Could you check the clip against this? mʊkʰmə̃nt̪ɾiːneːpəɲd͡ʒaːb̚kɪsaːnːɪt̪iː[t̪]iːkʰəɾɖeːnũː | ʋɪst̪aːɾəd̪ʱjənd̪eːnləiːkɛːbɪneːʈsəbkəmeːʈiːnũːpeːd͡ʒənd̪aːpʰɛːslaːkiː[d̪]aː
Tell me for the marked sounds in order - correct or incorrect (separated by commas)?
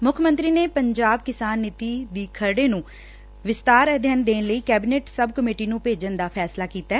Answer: incorrect, incorrect